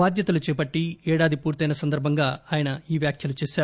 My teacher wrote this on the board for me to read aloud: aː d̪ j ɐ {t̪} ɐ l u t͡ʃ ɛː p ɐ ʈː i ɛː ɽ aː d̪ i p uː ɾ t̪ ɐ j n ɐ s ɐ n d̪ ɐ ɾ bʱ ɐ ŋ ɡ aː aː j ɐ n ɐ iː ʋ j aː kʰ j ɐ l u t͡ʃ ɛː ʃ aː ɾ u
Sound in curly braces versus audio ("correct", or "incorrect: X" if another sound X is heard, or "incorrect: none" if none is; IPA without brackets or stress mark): correct